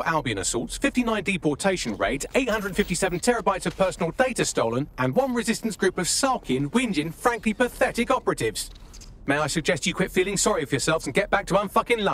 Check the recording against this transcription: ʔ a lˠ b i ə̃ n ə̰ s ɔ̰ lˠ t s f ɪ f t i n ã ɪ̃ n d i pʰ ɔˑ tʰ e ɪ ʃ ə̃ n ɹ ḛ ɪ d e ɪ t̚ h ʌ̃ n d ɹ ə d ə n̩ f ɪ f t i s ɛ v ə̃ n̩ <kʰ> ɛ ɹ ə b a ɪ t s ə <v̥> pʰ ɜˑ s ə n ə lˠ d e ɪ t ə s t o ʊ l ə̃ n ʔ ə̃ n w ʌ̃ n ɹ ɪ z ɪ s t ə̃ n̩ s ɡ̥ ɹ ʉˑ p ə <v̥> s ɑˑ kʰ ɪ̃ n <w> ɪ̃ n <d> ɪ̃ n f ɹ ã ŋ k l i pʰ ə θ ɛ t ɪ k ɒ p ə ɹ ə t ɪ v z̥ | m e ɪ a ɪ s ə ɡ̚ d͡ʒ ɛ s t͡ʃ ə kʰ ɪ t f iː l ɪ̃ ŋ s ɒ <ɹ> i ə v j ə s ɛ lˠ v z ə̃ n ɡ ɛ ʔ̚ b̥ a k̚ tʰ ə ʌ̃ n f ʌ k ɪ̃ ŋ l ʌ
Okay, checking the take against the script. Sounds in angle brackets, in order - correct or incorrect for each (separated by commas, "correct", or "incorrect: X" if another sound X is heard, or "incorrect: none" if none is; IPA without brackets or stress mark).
incorrect: tʰ, correct, correct, correct, incorrect: d͡ʒ, correct